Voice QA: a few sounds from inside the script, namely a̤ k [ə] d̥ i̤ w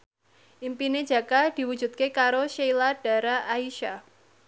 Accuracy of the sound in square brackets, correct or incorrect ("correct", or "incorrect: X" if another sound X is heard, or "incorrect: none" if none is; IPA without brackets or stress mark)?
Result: incorrect: a